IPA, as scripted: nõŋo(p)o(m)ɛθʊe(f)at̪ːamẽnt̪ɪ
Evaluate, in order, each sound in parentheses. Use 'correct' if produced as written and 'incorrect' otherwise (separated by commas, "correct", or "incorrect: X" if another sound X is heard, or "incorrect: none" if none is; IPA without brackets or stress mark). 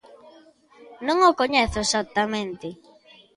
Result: incorrect: k, incorrect: ɲ, incorrect: s